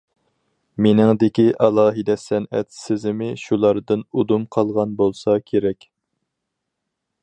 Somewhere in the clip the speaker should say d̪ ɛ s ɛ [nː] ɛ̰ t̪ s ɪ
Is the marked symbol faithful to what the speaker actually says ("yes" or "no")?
no